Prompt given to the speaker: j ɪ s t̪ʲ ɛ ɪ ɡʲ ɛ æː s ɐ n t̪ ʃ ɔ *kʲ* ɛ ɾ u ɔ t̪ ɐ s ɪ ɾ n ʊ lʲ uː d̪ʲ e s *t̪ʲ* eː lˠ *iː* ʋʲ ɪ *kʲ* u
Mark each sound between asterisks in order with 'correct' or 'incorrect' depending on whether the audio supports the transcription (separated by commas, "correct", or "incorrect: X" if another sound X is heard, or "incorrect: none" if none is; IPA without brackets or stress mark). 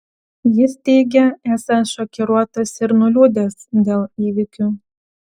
correct, incorrect: d̪ʲ, correct, correct